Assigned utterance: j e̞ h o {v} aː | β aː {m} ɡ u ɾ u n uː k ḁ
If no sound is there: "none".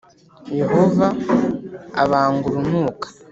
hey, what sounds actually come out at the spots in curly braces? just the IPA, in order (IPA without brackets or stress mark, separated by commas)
v, ŋ